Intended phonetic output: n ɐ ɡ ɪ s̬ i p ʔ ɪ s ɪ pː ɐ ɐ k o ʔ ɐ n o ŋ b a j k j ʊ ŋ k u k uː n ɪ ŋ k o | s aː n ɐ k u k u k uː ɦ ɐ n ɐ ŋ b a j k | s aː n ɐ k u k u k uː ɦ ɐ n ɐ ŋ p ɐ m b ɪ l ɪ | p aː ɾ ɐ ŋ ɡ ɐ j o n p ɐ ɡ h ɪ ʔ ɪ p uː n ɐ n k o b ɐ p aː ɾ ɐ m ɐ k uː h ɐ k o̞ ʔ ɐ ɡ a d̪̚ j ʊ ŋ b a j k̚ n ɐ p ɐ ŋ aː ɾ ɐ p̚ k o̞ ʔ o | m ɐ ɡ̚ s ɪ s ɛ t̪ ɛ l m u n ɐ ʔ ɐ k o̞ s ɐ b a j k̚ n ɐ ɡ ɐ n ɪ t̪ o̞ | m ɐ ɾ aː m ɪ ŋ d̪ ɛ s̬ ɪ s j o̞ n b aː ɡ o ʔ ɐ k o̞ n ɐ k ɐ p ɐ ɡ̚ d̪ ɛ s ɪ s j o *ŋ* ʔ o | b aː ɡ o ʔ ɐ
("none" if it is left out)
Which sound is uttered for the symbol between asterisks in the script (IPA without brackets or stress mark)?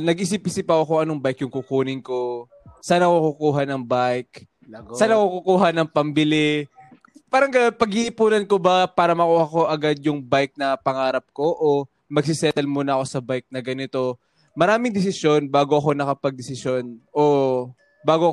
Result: n